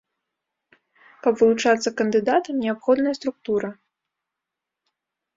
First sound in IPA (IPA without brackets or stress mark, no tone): k